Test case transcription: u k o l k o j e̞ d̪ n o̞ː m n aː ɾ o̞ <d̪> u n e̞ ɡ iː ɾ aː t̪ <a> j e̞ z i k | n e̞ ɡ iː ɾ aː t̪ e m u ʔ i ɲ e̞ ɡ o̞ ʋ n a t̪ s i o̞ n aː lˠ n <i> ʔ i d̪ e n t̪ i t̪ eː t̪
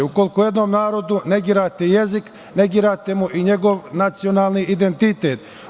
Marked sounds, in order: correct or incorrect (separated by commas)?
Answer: correct, incorrect, correct